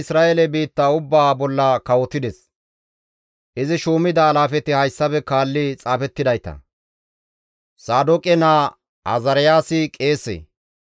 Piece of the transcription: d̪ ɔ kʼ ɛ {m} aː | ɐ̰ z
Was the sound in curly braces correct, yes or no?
no